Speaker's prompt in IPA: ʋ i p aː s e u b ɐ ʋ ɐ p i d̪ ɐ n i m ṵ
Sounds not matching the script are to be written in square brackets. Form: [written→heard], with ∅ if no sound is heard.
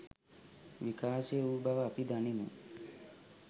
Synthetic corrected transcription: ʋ i [p→k] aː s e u b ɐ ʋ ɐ p i d̪ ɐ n i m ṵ

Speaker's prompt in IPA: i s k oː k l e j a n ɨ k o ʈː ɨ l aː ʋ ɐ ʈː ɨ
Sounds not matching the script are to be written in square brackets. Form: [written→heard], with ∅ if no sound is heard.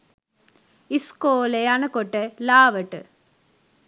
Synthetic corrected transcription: i s k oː [k→∅] l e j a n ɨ k o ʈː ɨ l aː ʋ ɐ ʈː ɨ

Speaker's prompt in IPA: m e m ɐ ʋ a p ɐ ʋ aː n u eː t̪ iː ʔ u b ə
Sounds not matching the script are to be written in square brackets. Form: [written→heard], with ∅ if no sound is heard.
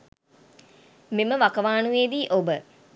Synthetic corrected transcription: m e m [ɐ→ə] ʋ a [p→k] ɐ ʋ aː n u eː [t̪→d̪] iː ʔ [u→o] b ə

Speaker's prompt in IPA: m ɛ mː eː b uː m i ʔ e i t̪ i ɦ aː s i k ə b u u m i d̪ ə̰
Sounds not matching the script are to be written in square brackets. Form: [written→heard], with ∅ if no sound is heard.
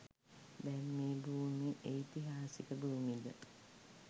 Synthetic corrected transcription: [m→b] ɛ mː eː b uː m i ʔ e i t̪ i ɦ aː s i k ə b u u m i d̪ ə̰

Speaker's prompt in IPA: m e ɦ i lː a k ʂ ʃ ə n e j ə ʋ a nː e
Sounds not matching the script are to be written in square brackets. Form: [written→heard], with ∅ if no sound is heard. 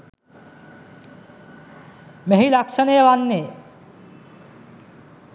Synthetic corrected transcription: m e ɦ i [lː→l] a k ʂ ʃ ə n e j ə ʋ a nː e

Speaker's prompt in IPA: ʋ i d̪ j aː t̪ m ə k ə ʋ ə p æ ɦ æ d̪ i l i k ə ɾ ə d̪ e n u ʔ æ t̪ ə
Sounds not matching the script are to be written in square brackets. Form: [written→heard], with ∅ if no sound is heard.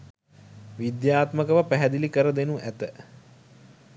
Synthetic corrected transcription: ʋ i d̪ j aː t̪ m ə k ə ʋ ə p æ ɦ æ d̪ i l i k ə ɾ ə d̪ e n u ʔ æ t̪ ə

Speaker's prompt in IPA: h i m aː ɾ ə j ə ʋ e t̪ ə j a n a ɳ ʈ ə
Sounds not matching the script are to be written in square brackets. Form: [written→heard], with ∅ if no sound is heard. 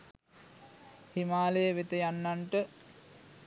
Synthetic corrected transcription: h i m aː [ɾ→l] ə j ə ʋ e t̪ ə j a [n→nː] a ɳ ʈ ə

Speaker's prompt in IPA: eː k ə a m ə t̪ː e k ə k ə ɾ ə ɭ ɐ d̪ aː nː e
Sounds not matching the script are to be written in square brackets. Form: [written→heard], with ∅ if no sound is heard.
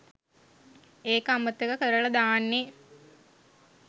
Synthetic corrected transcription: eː k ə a m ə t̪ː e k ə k ə ɾ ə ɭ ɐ d̪ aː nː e

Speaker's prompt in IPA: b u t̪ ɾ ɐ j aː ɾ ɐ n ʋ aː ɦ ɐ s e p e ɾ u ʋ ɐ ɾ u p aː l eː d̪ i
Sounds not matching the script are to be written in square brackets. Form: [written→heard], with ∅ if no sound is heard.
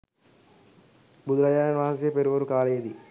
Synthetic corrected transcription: b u [t̪→d̪] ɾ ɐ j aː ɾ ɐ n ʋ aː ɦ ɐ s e p e ɾ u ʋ ɐ ɾ u [p→k] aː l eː d̪ i

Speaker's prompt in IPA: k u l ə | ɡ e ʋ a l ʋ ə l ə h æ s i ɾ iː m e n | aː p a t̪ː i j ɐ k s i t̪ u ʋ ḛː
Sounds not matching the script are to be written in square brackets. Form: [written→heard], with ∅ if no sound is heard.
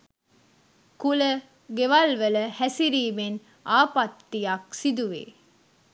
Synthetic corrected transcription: k u l ə | ɡ e ʋ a l ʋ ə l ə h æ s i ɾ iː m e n | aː p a t̪ː i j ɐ k s i [t̪→d̪] u ʋ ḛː

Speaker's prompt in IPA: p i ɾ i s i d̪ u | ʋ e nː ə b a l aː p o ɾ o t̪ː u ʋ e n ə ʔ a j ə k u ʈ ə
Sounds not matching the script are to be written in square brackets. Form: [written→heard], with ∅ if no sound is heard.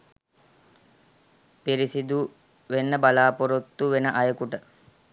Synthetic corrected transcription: p i ɾ i s i d̪ u | ʋ e nː ə b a l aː p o ɾ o t̪ː u ʋ e n ə ʔ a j ə k u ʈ ə

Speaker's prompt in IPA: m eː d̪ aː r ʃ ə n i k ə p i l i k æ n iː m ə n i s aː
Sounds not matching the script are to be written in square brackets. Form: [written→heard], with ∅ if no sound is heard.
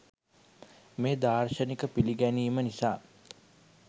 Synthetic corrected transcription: m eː d̪ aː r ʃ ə n i k ə p i l i [k→ɡ] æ n iː m ə n i s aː

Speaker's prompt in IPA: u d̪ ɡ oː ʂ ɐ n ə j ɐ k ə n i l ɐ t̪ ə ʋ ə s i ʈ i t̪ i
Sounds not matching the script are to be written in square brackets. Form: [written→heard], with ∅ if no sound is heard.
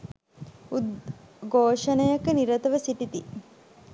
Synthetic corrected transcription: u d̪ ɡ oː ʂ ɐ n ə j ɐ k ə n i [l→ɾ] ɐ t̪ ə ʋ ə s i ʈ i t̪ i

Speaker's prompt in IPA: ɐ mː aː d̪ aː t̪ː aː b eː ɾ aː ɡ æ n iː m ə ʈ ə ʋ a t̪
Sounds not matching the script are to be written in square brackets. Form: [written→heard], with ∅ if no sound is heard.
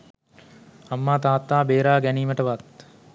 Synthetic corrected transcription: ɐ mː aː [d̪→t̪] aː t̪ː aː b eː ɾ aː ɡ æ n iː m ə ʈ ə ʋ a t̪

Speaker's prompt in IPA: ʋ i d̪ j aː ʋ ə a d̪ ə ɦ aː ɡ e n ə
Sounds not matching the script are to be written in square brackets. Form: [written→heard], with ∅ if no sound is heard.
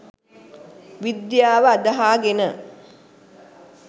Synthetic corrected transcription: ʋ i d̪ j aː ʋ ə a d̪ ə ɦ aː ɡ e n ə

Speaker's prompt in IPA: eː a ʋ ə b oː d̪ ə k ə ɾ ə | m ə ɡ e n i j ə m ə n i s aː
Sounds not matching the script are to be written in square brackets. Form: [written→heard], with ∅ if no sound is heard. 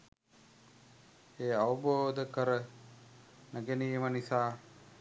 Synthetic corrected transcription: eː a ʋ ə b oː d̪ ə k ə ɾ ə | [m→n] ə ɡ e n i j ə m ə n i s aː

